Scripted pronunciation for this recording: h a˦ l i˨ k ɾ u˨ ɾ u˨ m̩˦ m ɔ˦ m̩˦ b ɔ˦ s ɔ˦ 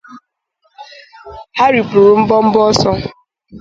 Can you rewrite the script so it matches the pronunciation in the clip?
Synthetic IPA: h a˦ ɾ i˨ p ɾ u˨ ɾ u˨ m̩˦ b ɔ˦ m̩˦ b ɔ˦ s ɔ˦